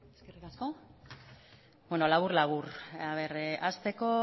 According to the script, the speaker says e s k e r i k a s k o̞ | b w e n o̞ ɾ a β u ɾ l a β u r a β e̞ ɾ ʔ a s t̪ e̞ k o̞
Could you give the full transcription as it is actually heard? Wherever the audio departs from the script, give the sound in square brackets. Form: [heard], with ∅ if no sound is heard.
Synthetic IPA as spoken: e s k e r i k a s k o̞ | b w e n o̞ [l] a β u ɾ l a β u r a β e̞ ɾ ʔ a s t̪ e̞ k o̞